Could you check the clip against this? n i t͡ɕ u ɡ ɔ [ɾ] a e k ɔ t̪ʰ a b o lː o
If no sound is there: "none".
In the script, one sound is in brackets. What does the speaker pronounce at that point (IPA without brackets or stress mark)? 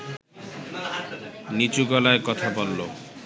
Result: l